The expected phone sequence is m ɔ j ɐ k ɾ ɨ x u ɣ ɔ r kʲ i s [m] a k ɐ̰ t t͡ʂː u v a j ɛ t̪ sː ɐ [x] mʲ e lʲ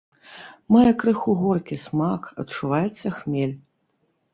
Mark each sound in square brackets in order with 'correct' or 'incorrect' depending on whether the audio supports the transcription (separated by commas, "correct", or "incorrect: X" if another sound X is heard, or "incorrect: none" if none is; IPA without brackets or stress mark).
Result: correct, correct